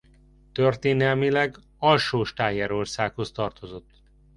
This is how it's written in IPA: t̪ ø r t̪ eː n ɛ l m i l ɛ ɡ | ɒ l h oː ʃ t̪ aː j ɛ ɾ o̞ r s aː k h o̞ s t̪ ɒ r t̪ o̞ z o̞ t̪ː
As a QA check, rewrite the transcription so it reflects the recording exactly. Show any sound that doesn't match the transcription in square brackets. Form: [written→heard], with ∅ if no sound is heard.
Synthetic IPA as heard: t̪ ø r t̪ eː n ɛ l m i l ɛ ɡ | ɒ l [h→ʃ] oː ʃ t̪ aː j ɛ ɾ o̞ r s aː k h o̞ s t̪ ɒ r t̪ o̞ z o̞ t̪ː